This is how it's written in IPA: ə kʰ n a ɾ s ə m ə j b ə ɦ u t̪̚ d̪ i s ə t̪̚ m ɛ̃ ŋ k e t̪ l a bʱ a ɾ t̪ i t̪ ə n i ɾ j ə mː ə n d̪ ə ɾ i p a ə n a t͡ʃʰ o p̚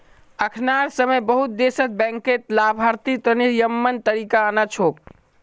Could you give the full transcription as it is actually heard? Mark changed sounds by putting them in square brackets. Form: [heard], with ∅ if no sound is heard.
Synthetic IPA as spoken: ə kʰ n a ɾ s ə m ə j b ə ɦ u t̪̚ d̪ [e] s ə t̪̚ [b] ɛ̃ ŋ k e t̪ l a bʱ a ɾ t̪ i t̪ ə n i ɾ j ə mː ə n [t̪] ə ɾ i [k] a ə n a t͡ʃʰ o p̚